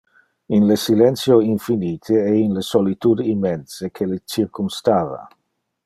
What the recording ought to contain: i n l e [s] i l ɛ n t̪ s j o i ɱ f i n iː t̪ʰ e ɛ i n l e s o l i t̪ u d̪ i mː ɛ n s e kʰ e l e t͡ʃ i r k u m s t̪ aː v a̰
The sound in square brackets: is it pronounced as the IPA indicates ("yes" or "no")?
yes